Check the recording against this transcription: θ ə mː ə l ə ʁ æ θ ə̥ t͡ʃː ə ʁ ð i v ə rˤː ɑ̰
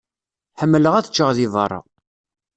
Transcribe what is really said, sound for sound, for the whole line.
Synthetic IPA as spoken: ħ ə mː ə l ə ʁ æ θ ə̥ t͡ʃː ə ʁ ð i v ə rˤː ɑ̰